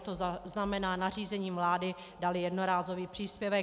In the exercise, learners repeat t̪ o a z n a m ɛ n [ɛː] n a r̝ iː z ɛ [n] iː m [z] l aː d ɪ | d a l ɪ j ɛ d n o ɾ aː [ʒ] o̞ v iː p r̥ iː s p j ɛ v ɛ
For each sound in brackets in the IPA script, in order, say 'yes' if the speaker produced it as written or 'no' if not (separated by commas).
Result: no, no, no, no